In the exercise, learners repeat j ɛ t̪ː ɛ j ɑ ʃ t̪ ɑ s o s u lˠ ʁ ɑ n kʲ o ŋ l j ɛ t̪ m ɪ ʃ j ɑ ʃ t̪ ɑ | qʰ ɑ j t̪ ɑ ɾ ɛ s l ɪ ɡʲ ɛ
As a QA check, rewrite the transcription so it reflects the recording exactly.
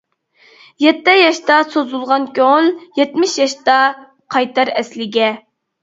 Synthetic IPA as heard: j ɛ t̪ː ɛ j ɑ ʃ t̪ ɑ s o z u lˠ ʁ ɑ n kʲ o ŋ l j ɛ t̪ m ɪ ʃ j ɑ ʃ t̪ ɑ | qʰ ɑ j t̪ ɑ ɾ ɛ s l ɪ ɡʲ ɛ